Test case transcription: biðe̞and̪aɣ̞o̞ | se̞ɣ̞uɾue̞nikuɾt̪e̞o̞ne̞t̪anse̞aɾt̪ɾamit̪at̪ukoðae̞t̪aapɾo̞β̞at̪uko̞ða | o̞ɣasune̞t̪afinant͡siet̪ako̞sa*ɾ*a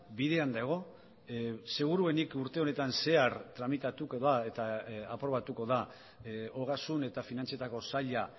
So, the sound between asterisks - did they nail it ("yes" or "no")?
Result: no